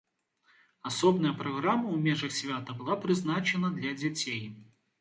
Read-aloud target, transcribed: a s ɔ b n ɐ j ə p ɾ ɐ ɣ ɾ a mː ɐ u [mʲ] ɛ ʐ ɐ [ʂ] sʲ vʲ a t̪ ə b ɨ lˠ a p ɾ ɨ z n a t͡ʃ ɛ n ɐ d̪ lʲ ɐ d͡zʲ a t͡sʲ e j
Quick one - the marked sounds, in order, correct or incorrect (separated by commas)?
correct, incorrect